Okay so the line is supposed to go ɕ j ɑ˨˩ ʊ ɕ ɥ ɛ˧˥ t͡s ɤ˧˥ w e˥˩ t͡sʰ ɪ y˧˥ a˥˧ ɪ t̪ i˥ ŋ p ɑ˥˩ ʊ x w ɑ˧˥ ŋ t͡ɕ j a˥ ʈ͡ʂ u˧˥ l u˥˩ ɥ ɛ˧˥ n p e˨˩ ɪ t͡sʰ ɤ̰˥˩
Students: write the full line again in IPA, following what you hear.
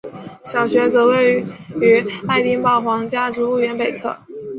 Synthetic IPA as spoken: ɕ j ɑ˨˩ ʊ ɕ ɥ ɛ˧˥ t͡s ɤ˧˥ w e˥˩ ɪ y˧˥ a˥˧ ɪ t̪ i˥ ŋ p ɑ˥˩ ʊ x w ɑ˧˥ ŋ t͡ɕ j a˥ ʈ͡ʂ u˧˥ l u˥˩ ɥ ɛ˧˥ n p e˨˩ ɪ t͡sʰ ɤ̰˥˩